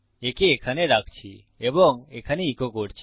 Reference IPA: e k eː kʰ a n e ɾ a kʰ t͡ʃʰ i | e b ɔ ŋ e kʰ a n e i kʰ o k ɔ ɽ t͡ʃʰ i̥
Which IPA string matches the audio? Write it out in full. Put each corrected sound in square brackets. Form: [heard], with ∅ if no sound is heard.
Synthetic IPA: e k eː kʰ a n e ɾ a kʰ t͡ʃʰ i | e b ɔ ŋ e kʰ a n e i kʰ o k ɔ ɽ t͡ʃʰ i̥